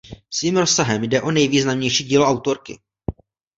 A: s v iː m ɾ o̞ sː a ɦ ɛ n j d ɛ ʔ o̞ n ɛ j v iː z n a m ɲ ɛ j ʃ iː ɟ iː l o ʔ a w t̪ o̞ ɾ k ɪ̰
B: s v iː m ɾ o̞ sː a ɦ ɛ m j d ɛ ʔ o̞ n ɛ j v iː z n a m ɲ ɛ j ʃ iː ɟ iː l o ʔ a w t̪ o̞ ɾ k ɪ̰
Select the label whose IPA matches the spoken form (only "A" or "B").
B